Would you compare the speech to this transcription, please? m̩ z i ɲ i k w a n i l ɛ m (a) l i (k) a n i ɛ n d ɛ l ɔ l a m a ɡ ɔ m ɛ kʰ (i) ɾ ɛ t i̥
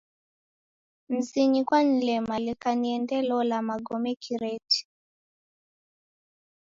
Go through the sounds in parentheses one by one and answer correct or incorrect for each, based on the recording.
correct, correct, correct

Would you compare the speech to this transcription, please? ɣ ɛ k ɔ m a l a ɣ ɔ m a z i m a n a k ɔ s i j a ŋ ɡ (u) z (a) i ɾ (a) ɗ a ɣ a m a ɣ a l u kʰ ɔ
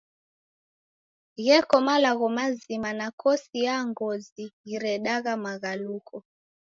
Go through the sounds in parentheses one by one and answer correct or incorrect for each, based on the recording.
incorrect: ɔ, incorrect: i, incorrect: ɛ

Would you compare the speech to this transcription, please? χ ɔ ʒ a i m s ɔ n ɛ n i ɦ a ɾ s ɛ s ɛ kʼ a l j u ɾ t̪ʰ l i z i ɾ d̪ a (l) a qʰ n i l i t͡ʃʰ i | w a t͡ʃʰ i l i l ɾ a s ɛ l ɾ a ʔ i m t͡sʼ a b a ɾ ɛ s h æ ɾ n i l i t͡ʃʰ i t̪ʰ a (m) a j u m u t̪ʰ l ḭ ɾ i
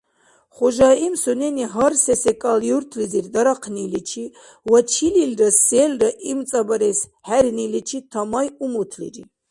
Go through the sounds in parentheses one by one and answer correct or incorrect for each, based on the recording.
incorrect: ɾ, correct

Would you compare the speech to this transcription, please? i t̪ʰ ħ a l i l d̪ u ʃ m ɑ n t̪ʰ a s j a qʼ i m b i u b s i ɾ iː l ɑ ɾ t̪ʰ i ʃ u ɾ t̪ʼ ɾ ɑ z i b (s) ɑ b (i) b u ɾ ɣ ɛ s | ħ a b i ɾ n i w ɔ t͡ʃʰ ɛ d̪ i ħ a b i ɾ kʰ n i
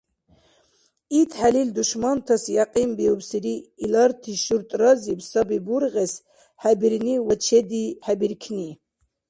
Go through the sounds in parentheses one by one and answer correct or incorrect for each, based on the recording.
correct, correct

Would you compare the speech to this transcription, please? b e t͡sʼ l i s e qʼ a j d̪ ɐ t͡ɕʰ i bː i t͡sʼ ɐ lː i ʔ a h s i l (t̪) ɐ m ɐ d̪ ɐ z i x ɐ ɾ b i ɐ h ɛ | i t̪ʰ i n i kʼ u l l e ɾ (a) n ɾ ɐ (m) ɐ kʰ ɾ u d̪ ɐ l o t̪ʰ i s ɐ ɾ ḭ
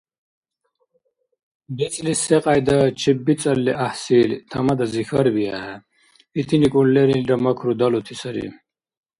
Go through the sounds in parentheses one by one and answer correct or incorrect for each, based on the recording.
incorrect: t̪ʰ, incorrect: i, correct

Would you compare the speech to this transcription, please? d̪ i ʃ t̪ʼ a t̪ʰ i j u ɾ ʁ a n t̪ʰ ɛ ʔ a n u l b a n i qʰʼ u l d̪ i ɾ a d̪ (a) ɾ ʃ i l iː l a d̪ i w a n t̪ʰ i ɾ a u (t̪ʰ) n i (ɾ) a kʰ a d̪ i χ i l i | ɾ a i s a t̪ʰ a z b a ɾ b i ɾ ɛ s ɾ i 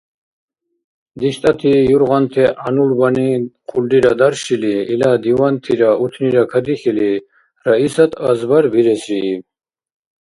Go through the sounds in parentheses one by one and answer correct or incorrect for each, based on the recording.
correct, correct, correct

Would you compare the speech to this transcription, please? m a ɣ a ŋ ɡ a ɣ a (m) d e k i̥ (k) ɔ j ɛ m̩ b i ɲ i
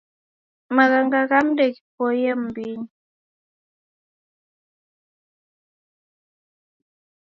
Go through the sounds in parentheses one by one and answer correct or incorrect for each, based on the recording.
correct, incorrect: p

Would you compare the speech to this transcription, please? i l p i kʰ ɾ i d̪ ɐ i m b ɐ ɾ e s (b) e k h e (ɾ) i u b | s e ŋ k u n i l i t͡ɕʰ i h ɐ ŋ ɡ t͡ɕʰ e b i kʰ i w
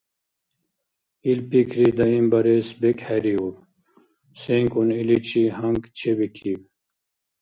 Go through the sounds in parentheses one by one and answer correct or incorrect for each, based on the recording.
correct, correct

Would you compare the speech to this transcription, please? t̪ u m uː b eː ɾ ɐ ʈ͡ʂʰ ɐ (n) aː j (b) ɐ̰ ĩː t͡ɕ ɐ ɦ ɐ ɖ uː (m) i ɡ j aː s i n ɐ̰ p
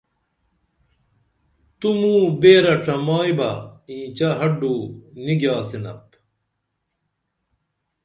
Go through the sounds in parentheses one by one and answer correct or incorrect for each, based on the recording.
incorrect: m, correct, incorrect: n

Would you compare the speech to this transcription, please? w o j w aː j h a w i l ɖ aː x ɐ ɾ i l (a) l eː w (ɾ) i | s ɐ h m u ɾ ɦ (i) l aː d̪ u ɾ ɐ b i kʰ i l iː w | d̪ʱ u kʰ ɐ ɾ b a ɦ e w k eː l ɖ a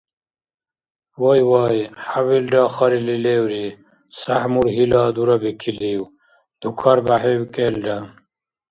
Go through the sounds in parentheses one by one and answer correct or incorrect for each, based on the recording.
incorrect: i, correct, correct

